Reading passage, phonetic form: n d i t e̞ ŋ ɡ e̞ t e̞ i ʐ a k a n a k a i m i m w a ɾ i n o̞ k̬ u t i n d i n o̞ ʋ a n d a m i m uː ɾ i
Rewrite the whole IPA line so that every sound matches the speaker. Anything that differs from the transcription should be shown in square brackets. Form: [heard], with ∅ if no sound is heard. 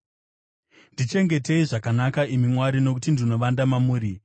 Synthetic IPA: n d i [t͡ʃ] e̞ ŋ ɡ e̞ t e̞ i ʐ a k a n a k a i m i m w a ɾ i n o̞ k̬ u t i n d i n o̞ ʋ a n d a m [a] m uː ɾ i